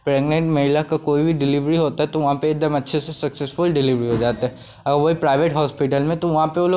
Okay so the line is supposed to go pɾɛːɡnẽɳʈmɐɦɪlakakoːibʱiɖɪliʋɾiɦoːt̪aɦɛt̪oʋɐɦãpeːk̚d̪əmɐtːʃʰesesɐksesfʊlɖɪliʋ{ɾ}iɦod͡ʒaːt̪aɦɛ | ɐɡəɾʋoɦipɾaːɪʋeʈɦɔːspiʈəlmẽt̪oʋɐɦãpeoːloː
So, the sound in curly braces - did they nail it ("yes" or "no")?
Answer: yes